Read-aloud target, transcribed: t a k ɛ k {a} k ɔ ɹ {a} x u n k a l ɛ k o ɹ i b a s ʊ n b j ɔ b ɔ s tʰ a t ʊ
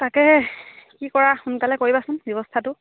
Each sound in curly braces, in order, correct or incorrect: incorrect, correct

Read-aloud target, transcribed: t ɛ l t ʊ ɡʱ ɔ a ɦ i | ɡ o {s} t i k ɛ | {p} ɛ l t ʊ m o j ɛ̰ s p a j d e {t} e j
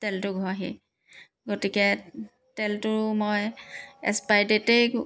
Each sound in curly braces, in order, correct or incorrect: incorrect, incorrect, correct

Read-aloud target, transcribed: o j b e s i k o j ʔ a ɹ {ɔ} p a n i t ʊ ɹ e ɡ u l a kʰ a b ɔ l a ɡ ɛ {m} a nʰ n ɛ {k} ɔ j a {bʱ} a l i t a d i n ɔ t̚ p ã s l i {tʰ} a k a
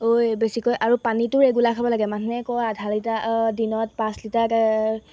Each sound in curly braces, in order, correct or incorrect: incorrect, correct, correct, incorrect, incorrect

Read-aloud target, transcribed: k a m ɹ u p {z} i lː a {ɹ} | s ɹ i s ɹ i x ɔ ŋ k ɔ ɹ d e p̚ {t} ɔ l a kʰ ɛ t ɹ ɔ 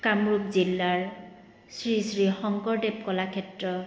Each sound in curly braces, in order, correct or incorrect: correct, correct, incorrect

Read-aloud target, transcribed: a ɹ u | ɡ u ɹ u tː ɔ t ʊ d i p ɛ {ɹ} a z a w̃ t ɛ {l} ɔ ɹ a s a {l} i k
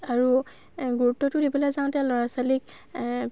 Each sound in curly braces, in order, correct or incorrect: incorrect, correct, correct

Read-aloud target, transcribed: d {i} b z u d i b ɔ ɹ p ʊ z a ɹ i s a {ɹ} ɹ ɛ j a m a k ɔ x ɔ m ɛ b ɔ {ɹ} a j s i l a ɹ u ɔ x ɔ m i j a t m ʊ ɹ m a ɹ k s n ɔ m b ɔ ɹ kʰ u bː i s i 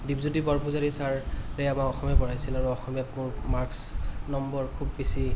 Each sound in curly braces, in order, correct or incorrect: correct, correct, correct

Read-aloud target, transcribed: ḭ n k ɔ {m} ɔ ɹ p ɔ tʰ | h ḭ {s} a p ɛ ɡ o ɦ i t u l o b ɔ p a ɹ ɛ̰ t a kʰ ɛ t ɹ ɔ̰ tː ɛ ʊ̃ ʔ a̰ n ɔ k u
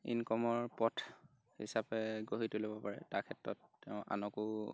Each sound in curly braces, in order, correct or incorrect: correct, correct

